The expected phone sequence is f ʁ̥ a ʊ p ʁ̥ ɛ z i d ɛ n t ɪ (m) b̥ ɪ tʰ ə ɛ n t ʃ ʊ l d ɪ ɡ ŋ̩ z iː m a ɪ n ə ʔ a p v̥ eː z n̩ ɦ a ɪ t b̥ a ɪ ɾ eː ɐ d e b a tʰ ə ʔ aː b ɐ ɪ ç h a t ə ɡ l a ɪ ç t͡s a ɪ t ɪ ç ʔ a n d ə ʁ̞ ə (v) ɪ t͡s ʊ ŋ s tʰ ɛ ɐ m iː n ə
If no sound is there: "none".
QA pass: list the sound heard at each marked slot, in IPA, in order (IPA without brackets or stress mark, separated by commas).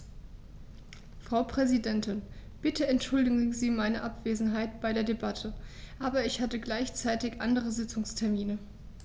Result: n, z